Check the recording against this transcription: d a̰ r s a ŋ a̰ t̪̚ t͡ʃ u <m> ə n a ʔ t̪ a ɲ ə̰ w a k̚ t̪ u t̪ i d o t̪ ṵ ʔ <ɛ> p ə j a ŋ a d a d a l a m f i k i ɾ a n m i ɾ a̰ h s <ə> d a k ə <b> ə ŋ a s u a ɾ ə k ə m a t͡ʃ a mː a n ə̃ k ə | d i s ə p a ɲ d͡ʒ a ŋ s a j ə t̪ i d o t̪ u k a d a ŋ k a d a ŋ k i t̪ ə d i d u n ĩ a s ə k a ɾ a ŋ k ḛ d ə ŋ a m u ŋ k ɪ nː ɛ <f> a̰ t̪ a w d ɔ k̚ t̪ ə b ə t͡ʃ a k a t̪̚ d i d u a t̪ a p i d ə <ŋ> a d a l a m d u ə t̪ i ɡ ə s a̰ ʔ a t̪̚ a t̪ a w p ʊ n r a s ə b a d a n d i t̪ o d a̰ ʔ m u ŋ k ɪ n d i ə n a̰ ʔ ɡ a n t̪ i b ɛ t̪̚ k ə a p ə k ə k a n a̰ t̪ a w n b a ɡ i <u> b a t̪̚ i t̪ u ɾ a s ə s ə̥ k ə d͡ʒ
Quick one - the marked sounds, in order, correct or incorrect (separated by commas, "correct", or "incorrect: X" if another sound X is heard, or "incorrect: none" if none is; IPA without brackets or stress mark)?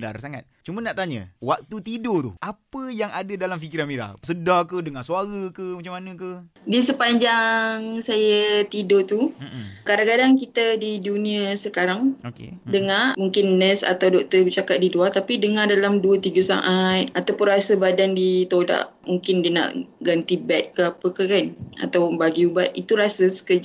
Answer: correct, incorrect: a, correct, incorrect: d, incorrect: s, correct, correct